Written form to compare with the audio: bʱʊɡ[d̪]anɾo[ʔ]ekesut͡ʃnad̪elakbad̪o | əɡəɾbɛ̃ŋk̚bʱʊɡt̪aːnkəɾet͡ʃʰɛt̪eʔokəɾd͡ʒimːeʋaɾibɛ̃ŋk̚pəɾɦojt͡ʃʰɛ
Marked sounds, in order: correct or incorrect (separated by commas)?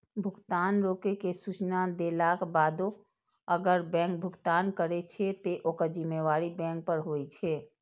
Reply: incorrect, incorrect